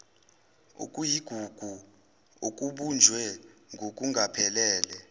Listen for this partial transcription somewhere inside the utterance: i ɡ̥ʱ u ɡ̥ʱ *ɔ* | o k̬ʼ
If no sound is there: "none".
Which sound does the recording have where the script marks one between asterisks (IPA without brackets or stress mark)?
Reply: u